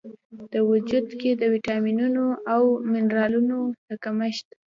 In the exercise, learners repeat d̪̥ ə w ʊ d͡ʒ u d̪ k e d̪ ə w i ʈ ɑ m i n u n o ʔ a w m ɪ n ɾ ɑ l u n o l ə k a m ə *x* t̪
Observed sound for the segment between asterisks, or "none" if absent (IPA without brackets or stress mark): ʃ